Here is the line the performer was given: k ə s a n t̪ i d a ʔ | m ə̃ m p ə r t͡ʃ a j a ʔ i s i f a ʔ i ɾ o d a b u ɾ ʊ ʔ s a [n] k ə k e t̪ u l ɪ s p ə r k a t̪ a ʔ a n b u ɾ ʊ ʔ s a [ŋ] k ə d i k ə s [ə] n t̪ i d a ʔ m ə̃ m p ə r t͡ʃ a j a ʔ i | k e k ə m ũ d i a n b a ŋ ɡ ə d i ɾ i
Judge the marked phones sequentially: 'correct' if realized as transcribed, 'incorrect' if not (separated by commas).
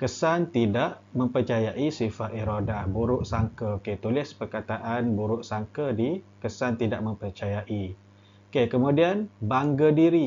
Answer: incorrect, correct, incorrect